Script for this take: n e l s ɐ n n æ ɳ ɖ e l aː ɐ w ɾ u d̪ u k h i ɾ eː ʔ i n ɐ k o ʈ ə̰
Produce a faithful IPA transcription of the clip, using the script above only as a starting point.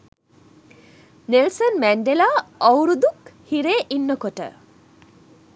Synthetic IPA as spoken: n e l s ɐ n m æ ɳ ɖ e l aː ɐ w ɾ u d̪ u k h i ɾ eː ʔ i nː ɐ k o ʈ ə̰